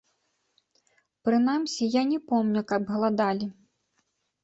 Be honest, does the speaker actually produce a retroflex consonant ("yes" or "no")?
no